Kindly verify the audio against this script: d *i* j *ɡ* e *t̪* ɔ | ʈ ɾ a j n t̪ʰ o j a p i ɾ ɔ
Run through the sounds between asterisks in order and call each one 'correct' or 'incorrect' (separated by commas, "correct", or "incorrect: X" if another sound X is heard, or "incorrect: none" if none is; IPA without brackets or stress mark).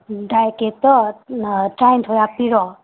incorrect: a, incorrect: k, correct